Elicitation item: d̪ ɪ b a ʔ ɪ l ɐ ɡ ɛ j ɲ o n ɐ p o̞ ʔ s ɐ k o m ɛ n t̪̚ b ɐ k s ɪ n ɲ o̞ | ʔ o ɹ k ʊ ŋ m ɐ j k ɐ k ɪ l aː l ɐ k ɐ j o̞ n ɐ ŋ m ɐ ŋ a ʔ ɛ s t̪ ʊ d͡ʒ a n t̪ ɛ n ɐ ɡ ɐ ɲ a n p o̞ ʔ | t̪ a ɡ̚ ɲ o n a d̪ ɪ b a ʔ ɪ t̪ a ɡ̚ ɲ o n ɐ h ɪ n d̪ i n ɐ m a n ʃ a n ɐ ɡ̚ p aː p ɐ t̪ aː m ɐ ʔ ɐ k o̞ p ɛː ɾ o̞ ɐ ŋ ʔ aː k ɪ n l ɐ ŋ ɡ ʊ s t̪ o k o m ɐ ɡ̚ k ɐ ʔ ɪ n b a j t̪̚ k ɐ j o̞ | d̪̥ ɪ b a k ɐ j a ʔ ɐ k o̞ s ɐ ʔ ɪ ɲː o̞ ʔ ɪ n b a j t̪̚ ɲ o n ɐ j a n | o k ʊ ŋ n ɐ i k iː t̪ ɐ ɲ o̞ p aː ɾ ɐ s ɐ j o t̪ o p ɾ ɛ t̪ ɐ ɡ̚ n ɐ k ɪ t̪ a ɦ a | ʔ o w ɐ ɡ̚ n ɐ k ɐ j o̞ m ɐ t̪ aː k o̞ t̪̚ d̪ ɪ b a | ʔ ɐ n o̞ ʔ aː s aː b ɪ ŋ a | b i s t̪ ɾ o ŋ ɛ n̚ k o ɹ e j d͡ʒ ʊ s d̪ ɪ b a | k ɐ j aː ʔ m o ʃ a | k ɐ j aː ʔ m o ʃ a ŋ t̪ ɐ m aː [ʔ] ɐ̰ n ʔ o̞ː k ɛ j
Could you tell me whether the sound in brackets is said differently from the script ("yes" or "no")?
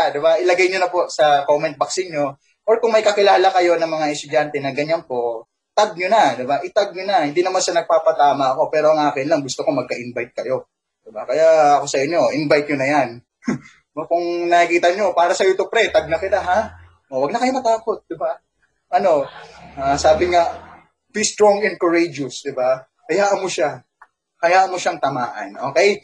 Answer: no